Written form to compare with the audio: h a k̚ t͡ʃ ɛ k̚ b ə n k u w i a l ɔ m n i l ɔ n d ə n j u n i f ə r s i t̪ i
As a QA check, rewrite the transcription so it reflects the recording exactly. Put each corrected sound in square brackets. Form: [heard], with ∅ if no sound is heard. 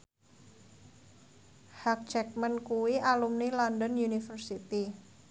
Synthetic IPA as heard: h a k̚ t͡ʃ ɛ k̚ [m] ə n k u w i a l [u] m n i l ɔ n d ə n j u n i f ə r s i t̪ i